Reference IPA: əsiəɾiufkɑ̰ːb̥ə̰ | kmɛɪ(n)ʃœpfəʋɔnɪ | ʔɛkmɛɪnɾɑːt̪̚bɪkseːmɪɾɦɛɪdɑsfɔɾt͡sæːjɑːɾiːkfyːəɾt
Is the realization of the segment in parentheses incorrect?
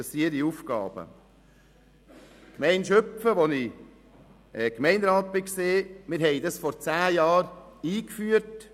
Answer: no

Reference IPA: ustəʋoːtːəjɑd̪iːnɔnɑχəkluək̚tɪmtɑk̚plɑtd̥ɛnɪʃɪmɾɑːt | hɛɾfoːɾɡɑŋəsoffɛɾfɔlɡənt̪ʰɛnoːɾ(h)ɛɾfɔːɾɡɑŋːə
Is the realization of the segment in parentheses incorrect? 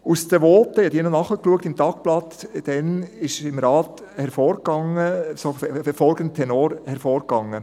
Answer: no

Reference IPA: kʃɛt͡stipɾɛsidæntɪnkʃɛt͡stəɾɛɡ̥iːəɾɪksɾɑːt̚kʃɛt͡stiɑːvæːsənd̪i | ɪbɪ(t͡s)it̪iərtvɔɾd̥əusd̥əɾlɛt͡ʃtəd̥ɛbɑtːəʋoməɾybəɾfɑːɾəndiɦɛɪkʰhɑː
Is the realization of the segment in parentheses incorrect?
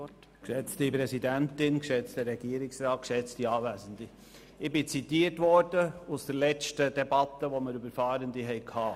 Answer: no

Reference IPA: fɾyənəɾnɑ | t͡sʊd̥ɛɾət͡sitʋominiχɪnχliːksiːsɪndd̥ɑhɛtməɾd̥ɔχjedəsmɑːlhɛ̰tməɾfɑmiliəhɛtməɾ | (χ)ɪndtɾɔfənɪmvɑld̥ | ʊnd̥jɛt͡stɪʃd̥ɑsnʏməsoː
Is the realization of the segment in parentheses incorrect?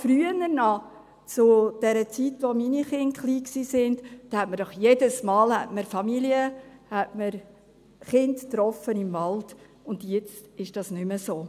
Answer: no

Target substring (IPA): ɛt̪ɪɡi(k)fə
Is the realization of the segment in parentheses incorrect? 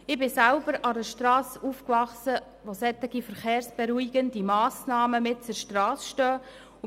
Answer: yes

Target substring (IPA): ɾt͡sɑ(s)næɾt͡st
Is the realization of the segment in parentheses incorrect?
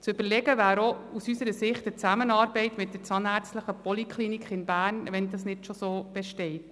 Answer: yes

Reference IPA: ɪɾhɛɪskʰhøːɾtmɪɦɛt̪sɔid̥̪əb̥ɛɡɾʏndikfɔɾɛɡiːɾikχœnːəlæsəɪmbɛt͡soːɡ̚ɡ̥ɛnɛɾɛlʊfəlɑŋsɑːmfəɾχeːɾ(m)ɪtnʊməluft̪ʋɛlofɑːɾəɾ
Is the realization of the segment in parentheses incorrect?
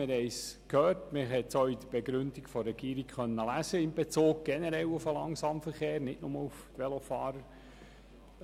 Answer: yes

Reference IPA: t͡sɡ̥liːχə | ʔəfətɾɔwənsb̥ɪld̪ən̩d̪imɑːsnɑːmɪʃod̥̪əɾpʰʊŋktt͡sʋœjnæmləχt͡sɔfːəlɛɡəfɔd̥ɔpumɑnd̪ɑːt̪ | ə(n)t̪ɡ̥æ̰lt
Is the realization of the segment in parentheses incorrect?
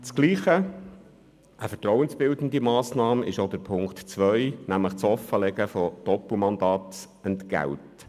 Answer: no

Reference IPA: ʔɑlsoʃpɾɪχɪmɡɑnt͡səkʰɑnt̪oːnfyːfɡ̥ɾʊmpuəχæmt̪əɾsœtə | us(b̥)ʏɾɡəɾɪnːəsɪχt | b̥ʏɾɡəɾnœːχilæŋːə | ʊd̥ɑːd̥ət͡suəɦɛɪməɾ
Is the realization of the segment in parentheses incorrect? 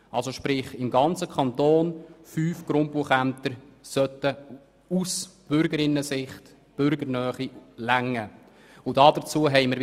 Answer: no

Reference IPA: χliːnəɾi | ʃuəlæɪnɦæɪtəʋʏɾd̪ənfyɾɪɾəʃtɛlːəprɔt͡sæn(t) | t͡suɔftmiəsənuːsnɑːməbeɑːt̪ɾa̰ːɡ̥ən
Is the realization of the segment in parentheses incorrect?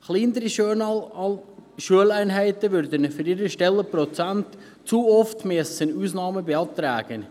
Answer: no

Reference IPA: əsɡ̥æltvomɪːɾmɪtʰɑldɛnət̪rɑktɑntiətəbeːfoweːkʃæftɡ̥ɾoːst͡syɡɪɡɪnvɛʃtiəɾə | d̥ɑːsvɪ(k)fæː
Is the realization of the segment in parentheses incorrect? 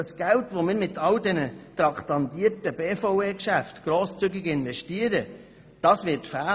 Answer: yes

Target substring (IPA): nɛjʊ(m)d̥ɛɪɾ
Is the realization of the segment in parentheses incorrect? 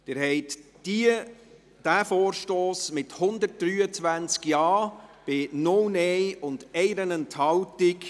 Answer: yes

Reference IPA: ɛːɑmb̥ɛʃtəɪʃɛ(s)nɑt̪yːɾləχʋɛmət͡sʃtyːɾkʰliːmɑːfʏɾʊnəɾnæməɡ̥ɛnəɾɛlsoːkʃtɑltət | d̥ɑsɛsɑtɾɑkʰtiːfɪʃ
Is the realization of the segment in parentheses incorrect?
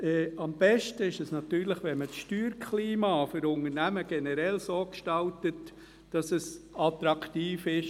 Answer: no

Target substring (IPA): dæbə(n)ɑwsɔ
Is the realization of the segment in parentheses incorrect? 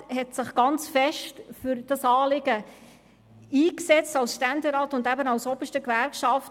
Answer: no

